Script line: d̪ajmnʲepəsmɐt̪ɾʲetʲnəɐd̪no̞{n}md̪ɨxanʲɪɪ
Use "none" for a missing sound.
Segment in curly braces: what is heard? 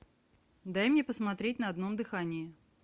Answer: none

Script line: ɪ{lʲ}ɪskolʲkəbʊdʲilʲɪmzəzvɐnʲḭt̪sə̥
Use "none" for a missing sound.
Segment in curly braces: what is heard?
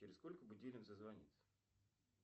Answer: ɾʲ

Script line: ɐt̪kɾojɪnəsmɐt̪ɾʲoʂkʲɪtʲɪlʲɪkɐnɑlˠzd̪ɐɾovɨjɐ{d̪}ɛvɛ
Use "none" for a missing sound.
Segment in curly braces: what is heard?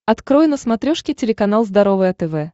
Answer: t̪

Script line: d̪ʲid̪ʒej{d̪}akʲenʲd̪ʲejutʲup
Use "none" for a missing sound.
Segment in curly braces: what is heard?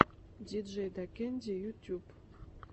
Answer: d̪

